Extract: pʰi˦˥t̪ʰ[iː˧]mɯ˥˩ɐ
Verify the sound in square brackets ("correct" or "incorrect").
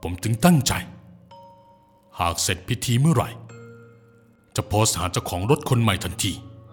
correct